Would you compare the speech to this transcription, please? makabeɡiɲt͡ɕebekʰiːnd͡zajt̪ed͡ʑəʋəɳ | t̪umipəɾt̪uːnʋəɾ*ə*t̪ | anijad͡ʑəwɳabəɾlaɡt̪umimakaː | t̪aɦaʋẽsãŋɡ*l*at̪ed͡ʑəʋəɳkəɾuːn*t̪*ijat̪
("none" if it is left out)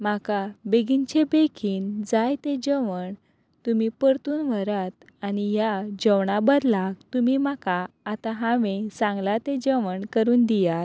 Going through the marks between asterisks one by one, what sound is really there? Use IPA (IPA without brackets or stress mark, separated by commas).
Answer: a, l, d̪